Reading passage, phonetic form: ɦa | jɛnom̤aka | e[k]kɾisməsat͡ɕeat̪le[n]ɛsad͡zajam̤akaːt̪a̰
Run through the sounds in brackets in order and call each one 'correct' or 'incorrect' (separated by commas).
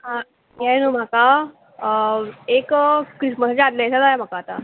correct, incorrect